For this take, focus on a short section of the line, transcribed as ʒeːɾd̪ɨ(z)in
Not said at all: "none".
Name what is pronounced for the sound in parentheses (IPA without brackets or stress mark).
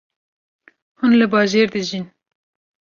ʒ